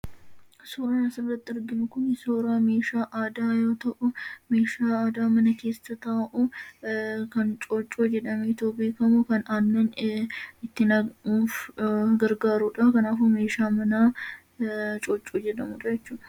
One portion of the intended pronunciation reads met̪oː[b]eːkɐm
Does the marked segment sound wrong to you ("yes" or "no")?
no